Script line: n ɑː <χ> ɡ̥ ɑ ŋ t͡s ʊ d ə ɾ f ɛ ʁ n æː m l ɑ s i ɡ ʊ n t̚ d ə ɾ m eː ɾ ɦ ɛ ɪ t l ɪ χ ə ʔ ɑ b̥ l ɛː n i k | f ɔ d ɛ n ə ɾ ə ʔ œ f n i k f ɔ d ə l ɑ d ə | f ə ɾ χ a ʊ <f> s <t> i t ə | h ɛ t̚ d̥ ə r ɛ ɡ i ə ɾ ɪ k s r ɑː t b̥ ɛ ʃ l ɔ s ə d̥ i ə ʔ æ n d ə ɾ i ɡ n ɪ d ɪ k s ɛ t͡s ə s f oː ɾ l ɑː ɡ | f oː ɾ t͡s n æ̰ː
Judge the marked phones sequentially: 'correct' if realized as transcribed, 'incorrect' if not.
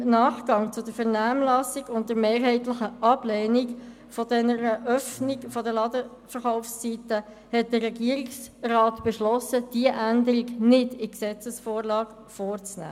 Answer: correct, correct, incorrect: t͡s

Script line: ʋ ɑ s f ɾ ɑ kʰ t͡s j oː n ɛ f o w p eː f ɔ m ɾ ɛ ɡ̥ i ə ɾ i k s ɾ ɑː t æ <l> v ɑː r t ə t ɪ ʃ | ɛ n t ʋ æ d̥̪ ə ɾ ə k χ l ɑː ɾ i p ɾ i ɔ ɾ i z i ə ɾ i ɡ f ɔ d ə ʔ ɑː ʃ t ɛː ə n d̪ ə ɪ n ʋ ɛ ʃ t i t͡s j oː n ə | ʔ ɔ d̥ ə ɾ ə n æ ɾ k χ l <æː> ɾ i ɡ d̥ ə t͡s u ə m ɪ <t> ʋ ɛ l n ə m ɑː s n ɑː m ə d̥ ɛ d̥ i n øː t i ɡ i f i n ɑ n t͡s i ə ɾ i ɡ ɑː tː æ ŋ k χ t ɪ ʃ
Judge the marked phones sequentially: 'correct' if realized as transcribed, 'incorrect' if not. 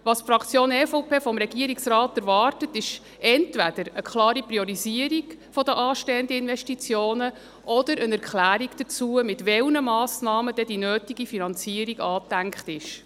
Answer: incorrect: ɾ, correct, correct

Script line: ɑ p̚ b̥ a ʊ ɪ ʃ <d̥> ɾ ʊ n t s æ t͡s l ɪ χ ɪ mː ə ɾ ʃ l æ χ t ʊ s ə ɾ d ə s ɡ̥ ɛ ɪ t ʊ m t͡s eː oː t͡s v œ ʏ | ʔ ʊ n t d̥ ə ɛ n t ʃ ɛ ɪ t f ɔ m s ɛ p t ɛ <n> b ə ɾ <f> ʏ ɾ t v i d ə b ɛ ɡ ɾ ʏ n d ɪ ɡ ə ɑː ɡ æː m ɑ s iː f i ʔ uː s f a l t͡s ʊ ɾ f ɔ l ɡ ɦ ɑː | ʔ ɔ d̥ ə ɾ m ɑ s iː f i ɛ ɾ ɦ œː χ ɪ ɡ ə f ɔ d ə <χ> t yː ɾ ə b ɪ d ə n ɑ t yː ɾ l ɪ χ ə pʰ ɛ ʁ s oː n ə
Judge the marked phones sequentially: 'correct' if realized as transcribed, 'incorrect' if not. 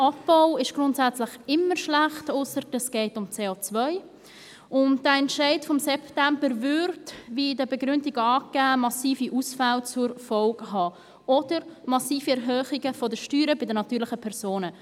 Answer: incorrect: ɡ̥, incorrect: m, incorrect: v, incorrect: ʃ

